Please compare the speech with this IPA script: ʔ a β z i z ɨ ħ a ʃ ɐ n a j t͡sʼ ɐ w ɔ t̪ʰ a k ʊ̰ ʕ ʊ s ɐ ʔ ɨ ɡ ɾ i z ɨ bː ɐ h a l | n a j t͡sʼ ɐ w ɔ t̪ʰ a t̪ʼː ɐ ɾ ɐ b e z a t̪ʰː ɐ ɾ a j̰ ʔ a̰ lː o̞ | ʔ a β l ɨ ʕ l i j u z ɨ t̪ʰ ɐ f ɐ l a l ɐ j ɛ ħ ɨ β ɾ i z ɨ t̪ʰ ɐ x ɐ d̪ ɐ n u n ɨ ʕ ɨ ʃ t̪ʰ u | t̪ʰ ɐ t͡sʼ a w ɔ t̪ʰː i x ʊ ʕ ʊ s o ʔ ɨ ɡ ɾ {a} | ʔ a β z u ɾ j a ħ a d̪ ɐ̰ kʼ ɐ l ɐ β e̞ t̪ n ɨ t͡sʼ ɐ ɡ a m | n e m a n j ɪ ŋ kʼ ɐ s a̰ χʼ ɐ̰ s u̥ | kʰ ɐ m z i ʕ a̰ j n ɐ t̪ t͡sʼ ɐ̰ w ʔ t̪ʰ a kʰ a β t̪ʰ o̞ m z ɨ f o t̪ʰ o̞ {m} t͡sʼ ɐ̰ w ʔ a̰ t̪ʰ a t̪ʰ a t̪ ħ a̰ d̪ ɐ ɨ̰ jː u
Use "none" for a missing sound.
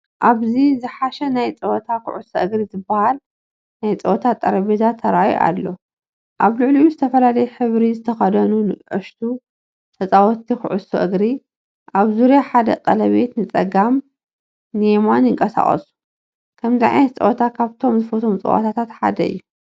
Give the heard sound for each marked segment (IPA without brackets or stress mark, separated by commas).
i, m